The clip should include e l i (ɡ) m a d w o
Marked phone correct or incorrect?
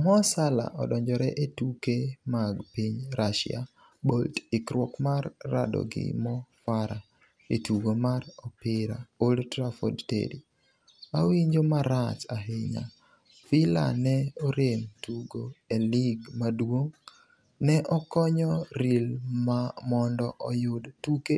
correct